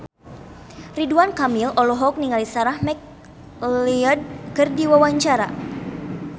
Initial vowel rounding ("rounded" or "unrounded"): unrounded